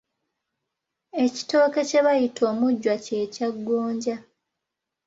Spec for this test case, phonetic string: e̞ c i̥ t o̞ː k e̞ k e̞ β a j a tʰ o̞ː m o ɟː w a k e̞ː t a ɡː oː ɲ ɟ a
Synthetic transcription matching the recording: e̞ c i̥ t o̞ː k e̞ c e̞ β a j i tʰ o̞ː m u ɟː w a c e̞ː c a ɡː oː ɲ ɟ a

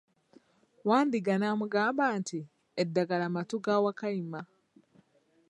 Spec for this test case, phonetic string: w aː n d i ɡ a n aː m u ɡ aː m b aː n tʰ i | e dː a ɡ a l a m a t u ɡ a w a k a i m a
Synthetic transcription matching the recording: w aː n d i ɡ a n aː m u ɡ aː m b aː n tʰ i | e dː a ɡ a l a m a t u ɡ a w a k a i m a

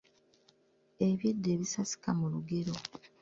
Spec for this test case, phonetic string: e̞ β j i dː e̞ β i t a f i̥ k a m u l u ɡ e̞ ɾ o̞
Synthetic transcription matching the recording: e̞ β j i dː e̞ β i s a s i̥ k a m u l u ɡ e̞ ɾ o̞

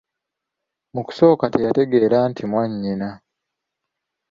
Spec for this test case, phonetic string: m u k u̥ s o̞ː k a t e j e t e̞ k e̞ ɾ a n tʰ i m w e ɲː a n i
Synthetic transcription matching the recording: m u k u̥ s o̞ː k a t e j a t e̞ ɡ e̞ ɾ a n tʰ i m w a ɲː i n a

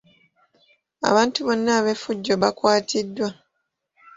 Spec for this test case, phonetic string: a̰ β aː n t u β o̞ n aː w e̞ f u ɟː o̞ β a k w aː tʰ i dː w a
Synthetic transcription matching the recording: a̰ β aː n t u β o̞ nː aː β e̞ f u ɟː o̞ β a k w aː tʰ i dː w a

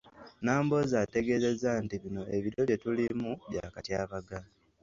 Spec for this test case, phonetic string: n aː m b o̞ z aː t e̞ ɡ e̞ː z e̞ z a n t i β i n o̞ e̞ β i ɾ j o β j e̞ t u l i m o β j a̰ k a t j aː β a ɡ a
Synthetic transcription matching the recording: n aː m b o̞ z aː t e̞ ɡ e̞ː z e̞ z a n t i β i n o̞ e̞ β i ɾ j o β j e̞ t u l i m u β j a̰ k a t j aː β a ɡ a

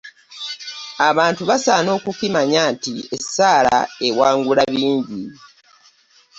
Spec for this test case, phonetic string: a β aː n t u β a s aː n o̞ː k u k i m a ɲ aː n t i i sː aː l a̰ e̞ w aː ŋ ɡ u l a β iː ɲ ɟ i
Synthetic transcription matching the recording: a β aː n t u β a s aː n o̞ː k u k i m a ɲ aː n t i e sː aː l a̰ e̞ w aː ŋ ɡ u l a β iː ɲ ɟ i

